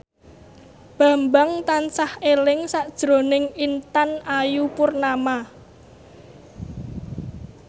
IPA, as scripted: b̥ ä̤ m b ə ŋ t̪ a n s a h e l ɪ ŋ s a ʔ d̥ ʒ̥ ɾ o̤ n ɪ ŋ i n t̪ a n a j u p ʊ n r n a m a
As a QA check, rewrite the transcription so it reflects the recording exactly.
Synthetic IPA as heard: b̥ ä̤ m b a ŋ t̪ a n s a h e l ɪ ŋ s a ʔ d̥ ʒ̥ ɾ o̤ n ɪ ŋ i n t̪ a n a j u p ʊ r n a m a

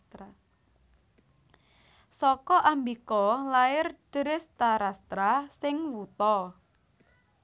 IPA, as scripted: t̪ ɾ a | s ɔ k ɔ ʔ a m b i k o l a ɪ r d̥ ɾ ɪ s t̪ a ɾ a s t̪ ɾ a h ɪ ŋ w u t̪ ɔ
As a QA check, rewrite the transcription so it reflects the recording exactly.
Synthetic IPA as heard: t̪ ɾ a | s ɔ k ɔ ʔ a m b i k ɔ l a ɪ r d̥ ɾ ɪ s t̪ a ɾ a s t̪ ɾ a s ɪ ŋ w u t̪ ɔ

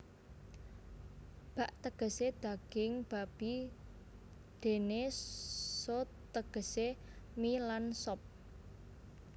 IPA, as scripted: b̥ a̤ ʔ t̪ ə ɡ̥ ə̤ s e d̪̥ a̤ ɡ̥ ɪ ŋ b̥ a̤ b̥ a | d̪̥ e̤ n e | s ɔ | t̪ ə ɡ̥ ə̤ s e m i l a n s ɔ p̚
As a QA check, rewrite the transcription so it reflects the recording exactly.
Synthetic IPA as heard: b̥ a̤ ʔ t̪ ə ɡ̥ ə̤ s e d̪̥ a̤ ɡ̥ ɪ ŋ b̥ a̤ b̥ i | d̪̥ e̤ n e | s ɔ | t̪ ə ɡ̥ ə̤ s e m i l a n s ɔ p̚

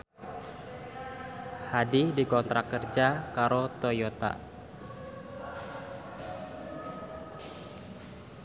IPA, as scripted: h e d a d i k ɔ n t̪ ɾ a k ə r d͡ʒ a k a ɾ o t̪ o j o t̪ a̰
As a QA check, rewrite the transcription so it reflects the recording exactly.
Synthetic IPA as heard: h a d i d i k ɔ n t̪ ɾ a k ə r d͡ʒ a k a ɾ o t̪ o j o t̪ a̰

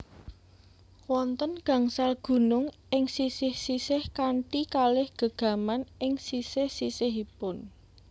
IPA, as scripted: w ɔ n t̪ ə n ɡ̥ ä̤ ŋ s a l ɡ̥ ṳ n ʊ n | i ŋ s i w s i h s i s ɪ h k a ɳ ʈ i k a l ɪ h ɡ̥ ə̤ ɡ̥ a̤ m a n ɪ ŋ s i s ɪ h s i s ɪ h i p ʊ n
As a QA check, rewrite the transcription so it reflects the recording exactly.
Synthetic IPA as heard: w ɔ n t̪ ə n ɡ̥ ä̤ ŋ s a l ɡ̥ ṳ n ʊ ŋ | ɪ ŋ s i s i h s i s ɪ h k a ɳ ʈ i k a l ɪ h ɡ̥ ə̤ ɡ̥ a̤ m a n ɪ ŋ s i s ɪ h s i s ɪ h i p ʊ n

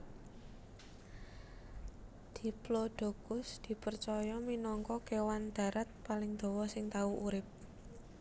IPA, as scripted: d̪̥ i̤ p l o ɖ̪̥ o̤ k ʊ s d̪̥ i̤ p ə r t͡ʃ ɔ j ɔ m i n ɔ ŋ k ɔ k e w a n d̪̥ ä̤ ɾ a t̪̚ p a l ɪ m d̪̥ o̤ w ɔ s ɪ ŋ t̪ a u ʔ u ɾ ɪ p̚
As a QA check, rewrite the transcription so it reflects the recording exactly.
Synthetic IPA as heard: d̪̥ i̤ p l o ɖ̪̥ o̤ k ʊ s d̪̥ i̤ p ə r t͡ʃ ɔ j ɔ m i n ɔ ŋ k ɔ k e w a n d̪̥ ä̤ ɾ a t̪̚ p a l ɪ ŋ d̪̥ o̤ w ɔ s ɪ ŋ t̪ a u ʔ u ɾ ɪ p̚

